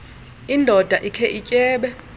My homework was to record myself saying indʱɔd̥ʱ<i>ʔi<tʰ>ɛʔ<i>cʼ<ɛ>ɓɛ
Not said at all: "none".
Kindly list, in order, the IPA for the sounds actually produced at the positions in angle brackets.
a, kʰ, i, ɛː

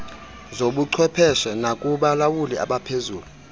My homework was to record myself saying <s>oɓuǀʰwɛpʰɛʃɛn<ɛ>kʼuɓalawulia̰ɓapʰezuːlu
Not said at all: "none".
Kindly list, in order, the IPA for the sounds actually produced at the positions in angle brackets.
z, a

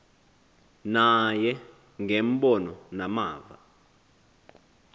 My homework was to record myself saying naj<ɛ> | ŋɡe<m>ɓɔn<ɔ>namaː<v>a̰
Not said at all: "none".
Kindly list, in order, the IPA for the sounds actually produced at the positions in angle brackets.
ɛ, m, ɔ, v

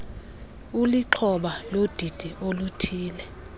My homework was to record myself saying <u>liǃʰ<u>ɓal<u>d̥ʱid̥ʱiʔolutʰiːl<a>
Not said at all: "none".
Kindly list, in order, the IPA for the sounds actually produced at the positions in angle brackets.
u, ɔ, o, ɛ

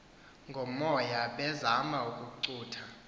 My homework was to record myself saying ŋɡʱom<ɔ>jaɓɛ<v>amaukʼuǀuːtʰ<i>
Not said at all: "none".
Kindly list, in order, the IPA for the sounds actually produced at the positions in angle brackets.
ɔ, z, a

